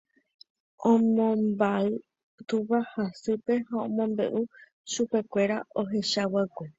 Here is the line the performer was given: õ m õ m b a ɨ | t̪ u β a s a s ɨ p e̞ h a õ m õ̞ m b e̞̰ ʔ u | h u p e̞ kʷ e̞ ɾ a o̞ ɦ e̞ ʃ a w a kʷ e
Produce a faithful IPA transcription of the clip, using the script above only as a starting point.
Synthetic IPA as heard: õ m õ m b a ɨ | t̪ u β a h a s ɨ p e̞ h a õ m õ̞ m b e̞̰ ʔ u | ʃ u p e̞ kʷ e̞ ɾ a o̞ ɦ e̞ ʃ a w a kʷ e